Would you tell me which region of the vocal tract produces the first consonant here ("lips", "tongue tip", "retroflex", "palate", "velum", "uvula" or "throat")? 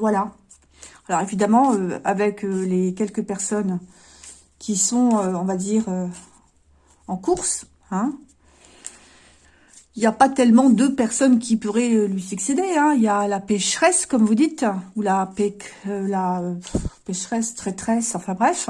lips